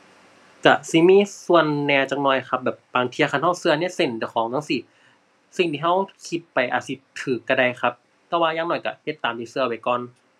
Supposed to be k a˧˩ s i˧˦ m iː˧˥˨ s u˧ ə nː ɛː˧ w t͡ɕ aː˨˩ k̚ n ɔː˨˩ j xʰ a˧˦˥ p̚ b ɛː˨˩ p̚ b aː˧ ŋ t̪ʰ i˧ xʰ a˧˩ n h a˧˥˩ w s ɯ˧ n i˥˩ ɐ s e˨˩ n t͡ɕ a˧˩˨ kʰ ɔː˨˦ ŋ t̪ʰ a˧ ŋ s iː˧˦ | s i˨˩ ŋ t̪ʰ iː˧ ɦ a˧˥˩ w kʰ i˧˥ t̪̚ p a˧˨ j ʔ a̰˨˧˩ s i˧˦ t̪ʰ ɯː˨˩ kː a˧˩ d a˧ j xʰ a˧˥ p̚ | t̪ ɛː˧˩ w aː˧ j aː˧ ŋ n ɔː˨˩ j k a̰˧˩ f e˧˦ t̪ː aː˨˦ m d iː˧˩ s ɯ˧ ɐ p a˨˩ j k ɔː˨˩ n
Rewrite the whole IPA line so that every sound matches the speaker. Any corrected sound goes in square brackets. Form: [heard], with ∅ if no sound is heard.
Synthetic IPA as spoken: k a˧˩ s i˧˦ m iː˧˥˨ s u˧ ə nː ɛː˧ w t͡ɕ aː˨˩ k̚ n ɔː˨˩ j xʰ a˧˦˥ p̚ b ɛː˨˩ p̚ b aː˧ ŋ t̪ʰ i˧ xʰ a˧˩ n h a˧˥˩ w s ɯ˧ n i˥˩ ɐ s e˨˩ n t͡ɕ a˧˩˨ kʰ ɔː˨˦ ŋ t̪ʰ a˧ ŋ s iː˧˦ | s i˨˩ ŋ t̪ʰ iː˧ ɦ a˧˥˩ w kʰ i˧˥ t̪̚ p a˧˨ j ʔ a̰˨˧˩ s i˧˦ t̪ʰ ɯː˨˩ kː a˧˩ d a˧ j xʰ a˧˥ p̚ | t̪ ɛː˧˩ w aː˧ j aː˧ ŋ n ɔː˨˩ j k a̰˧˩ [h] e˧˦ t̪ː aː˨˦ m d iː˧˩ s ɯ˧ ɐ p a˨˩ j k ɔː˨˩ n

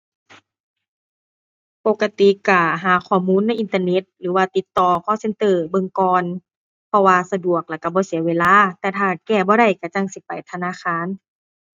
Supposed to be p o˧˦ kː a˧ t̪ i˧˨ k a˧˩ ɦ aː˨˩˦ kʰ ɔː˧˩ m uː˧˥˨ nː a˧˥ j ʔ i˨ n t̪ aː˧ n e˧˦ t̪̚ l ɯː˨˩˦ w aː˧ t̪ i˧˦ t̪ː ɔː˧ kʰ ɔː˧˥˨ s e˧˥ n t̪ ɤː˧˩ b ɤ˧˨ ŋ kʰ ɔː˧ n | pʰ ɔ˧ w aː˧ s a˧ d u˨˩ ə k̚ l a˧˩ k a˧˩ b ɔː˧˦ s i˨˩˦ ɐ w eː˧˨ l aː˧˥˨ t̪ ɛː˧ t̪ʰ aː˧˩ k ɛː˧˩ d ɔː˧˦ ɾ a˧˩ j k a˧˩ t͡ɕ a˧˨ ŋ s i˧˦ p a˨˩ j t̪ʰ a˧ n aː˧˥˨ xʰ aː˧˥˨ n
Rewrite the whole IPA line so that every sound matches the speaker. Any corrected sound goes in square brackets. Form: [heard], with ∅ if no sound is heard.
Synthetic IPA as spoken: p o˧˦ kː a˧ t̪ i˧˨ k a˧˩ ɦ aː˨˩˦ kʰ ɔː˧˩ m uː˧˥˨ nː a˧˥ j ʔ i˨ n t̪ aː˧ n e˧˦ t̪̚ l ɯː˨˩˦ w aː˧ t̪ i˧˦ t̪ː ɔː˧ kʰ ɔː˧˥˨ s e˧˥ n t̪ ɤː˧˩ b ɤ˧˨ ŋ [k] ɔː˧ n | pʰ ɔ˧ w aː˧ s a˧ d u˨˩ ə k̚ l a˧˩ k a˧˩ b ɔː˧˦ s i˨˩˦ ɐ w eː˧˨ l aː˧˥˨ t̪ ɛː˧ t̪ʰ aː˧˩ k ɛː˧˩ [b] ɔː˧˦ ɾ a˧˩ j k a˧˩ t͡ɕ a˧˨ ŋ s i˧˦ p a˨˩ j t̪ʰ a˧ n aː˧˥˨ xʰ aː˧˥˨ n

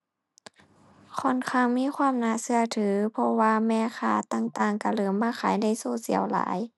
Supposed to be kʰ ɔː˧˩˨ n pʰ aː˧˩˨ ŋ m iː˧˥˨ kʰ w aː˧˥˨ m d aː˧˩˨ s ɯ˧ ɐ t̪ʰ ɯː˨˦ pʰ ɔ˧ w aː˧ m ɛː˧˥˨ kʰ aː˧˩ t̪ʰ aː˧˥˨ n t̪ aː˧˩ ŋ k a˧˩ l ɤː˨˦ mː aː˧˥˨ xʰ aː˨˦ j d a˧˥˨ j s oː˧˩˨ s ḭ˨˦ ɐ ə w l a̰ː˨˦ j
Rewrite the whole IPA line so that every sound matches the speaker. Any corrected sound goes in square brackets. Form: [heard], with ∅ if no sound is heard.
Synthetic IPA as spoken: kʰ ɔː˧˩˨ n [kʰ] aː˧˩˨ ŋ m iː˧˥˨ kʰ w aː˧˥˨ m [n] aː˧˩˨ s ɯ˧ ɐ t̪ʰ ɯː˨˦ pʰ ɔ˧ w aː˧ m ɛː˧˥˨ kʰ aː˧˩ [t̪] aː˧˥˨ [ŋ] t̪ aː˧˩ ŋ k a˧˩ l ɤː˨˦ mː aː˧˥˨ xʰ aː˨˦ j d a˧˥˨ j s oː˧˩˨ s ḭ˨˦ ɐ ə w l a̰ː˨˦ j

